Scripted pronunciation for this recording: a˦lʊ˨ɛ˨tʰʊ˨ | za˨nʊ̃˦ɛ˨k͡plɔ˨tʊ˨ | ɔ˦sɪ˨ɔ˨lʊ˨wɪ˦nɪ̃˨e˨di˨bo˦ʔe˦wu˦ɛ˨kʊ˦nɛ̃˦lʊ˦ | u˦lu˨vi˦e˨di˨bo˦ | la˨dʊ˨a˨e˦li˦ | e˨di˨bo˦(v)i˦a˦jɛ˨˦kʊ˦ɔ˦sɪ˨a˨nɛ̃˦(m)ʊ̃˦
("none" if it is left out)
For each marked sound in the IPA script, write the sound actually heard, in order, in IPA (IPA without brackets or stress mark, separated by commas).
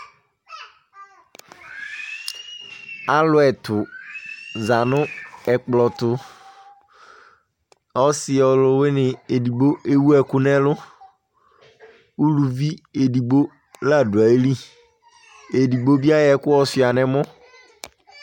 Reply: b, m